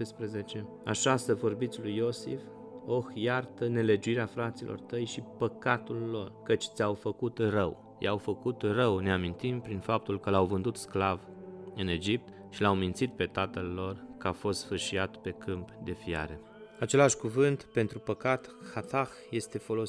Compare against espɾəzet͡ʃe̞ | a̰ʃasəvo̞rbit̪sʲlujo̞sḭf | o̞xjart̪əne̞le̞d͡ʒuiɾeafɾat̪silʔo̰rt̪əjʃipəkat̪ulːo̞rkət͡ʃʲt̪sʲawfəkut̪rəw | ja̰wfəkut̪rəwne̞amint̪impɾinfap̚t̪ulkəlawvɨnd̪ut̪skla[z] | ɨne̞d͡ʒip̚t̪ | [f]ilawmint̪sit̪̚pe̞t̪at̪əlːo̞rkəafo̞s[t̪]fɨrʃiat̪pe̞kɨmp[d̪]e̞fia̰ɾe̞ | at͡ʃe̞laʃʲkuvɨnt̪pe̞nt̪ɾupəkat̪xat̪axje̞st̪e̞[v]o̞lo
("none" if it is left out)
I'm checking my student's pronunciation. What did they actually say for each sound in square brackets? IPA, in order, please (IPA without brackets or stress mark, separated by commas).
v, ʃ, t̪, d̪, f